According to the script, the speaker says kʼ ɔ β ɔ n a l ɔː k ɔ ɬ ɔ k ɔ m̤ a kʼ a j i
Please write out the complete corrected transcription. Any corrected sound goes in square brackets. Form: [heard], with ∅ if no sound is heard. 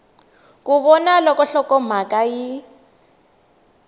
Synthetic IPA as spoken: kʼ [u] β ɔ n a l [ɔ] k ɔ ɬ ɔ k ɔ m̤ a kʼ a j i

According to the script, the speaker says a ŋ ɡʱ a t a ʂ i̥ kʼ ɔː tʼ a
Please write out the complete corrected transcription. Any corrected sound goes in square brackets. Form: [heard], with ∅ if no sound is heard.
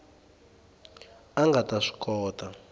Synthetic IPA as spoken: a ŋ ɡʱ a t a ʂ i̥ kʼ ɔː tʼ a

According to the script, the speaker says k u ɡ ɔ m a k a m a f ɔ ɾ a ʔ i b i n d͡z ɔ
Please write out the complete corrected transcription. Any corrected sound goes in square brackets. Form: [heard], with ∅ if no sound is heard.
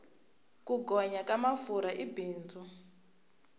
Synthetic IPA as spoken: k u ɡ ɔ [ɲ] a k a m a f [u] ɾ a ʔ i b [iː] n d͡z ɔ

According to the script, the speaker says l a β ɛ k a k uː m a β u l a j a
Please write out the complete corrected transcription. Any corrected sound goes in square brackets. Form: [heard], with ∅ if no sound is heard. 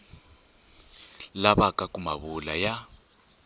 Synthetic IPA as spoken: l a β [a] k a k [u] m a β u l a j a

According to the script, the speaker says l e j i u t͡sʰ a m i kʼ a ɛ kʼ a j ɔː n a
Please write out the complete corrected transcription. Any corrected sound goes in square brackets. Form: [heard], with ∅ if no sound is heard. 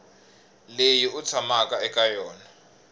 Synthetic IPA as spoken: l e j i u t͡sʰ a m [a] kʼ a ɛ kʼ a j ɔː n a

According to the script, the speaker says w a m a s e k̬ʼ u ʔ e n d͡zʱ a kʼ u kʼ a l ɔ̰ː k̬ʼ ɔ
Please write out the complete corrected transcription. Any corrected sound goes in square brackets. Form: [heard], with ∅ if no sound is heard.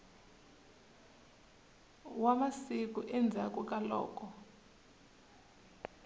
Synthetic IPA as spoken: w a m a s [i] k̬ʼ u ʔ [ɛ] n d͡zʱ a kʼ u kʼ a l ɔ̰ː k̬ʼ ɔ

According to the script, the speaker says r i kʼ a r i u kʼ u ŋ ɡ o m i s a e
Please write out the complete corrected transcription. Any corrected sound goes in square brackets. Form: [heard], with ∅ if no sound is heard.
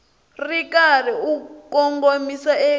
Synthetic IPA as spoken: r i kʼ a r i u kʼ [ɔ] ŋ ɡ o m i s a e

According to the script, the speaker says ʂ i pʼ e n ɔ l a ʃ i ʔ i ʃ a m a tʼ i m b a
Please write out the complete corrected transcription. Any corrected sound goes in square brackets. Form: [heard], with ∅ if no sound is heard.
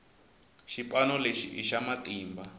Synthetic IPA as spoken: [ʃ] i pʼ [a] n ɔ l [e] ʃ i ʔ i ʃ a m a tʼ [iː] m b a

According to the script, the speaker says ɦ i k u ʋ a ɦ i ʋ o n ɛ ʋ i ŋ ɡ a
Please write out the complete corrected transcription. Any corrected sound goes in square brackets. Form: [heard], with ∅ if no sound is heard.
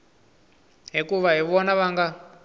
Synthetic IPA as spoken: ɦ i k u ʋ a ɦ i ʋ [ɔ] n [a] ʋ [a] ŋ ɡ a

